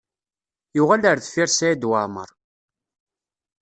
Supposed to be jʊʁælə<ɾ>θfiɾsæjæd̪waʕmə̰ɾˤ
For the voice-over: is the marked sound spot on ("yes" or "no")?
yes